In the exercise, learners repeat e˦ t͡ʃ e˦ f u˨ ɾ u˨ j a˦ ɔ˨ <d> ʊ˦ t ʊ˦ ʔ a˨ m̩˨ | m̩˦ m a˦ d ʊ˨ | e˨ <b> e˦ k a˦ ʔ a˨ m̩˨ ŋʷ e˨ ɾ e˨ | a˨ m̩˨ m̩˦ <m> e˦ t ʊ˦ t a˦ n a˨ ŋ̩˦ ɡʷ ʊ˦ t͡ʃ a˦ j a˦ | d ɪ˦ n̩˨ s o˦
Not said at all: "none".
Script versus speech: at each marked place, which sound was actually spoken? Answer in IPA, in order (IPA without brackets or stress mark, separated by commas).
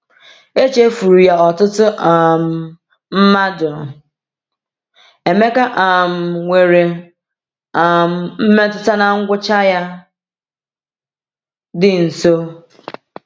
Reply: t, m, m